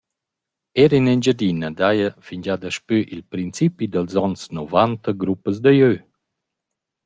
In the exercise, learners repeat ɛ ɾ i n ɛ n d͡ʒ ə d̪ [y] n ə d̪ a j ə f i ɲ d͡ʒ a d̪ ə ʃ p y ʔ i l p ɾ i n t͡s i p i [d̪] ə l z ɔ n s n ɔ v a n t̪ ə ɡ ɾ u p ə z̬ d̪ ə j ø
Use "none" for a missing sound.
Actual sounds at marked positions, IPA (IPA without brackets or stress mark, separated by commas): i, d̪